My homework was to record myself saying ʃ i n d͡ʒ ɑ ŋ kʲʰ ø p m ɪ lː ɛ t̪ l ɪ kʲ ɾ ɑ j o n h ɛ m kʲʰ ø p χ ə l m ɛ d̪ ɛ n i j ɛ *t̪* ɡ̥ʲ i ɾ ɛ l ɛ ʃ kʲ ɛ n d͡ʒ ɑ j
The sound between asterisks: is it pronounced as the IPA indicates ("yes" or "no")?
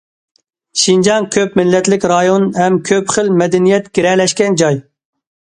yes